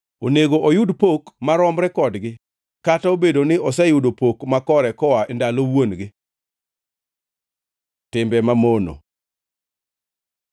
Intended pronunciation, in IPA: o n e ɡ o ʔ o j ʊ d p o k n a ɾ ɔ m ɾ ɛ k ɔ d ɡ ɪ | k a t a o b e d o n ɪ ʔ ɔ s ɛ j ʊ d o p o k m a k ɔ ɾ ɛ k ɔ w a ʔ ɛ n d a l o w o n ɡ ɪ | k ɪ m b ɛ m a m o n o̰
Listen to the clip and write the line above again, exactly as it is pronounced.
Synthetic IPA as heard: o n e ɡ o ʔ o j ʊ d p o k m a ɾ ɔ m ɾ ɛ k ɔ d ɡ ɪ | k a t a o b e d o n ɪ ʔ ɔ s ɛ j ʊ d o p o k m a k ɔ ɾ ɛ k ɔ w a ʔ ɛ n d a l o w o n ɡ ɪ | t ɪ m b ɛ m a m o n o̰